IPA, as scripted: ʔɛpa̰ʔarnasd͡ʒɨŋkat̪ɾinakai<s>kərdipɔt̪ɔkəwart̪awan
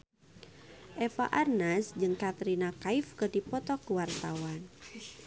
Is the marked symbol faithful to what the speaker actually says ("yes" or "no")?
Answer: no